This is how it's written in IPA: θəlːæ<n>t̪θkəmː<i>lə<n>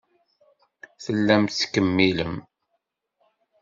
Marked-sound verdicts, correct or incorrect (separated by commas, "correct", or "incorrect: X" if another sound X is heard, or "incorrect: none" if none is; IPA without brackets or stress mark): incorrect: m, correct, incorrect: m